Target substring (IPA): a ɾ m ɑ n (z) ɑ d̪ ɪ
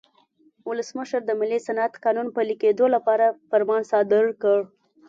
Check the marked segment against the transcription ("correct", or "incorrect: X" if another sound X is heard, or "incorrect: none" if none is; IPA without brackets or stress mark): incorrect: s